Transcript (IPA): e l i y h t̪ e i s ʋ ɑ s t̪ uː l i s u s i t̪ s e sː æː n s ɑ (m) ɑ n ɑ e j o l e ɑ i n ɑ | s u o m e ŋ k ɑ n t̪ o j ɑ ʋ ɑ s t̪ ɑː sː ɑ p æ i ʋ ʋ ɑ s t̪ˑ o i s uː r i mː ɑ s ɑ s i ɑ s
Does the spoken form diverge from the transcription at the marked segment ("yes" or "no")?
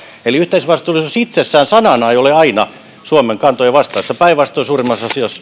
yes